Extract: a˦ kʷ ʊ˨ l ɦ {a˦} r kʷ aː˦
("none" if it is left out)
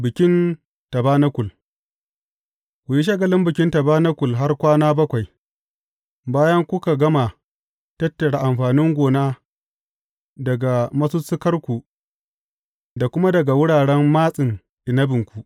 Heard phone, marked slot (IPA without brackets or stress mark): a˦